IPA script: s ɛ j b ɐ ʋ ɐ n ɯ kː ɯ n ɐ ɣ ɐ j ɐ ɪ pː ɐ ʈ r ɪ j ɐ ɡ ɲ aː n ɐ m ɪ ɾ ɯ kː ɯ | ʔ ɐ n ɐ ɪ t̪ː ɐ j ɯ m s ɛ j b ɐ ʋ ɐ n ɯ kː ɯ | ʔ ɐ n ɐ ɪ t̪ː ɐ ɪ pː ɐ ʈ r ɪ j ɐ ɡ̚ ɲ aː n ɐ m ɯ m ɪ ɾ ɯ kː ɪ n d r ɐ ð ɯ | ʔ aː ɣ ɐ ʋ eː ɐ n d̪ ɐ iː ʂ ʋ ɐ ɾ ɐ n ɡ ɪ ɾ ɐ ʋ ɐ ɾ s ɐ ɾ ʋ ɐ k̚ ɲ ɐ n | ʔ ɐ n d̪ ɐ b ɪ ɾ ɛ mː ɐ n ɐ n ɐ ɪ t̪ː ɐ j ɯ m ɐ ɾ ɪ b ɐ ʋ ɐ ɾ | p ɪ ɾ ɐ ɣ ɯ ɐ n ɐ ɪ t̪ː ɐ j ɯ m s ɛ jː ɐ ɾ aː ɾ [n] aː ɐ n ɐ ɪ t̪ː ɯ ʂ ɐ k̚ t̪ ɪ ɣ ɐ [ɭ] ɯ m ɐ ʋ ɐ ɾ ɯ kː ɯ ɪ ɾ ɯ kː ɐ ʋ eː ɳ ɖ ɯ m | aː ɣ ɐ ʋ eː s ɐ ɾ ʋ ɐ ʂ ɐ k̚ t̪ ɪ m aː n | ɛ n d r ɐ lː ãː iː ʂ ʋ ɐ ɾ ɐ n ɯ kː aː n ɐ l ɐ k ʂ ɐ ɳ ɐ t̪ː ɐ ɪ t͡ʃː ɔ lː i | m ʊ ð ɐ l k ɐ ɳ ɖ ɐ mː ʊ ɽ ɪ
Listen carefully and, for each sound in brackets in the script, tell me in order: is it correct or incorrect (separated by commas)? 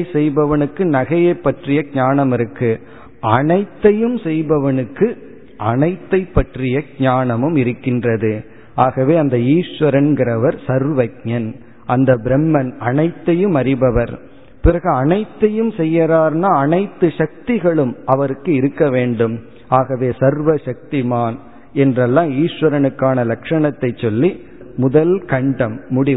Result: correct, correct